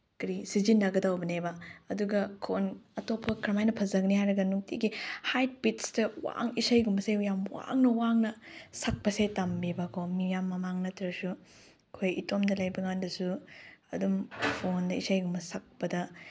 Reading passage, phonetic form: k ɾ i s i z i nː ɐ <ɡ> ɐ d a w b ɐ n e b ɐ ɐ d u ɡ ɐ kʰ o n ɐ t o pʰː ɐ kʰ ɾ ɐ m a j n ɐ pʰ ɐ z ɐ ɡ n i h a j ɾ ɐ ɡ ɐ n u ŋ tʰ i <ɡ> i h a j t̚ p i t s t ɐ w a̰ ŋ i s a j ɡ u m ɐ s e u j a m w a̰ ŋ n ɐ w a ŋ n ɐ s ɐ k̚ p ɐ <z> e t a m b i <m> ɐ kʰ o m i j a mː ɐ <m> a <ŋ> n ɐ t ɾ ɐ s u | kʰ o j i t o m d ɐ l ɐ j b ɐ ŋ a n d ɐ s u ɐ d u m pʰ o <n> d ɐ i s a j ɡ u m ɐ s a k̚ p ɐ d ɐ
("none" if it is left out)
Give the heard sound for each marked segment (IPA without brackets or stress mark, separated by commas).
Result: ɡ, ɡ, s, b, m, ŋ, n